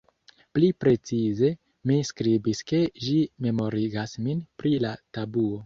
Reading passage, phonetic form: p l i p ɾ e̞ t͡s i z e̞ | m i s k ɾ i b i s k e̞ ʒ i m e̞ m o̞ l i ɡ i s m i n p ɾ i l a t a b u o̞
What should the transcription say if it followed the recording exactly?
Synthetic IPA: p l i p ɾ e̞ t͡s i z e̞ | m i s k ɾ i b i s k e̞ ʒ i m e̞ m o̞ ɾ i ɡ a s m i n p ɾ i l a t a b u o̞